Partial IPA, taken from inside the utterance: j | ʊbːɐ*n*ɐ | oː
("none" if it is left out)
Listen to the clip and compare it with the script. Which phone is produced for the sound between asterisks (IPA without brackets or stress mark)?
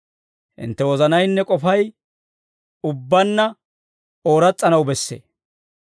nː